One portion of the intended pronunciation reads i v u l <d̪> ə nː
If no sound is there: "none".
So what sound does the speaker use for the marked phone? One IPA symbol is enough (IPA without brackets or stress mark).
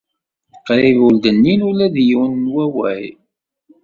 d̪